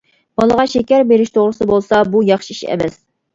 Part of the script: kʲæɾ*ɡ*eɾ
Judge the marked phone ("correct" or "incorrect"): incorrect